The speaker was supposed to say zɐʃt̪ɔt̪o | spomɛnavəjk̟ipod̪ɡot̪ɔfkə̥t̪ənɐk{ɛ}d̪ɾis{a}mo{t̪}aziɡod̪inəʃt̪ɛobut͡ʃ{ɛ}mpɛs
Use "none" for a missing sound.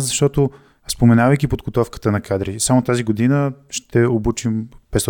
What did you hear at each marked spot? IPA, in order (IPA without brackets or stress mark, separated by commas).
a, a, t̪, i